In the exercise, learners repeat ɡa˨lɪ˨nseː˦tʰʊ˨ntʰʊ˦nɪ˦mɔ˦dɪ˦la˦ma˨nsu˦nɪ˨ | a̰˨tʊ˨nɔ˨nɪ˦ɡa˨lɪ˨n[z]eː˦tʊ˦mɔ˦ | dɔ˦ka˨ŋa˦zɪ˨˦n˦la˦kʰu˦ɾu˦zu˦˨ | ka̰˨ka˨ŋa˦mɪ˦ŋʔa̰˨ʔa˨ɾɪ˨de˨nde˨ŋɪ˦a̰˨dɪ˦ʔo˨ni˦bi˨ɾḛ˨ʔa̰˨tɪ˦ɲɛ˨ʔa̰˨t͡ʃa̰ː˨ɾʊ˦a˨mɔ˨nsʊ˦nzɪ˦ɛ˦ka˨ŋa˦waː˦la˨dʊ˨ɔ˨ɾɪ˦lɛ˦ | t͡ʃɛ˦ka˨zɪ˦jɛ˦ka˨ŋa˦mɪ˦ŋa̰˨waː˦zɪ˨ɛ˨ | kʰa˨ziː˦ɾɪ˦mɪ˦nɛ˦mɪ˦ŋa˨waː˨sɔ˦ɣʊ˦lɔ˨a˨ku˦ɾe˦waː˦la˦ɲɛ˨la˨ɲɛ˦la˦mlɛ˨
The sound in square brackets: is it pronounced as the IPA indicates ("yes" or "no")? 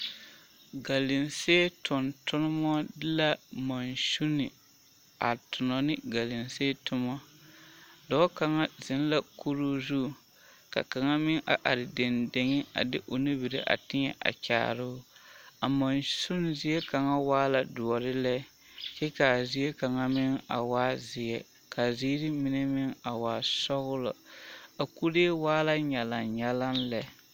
no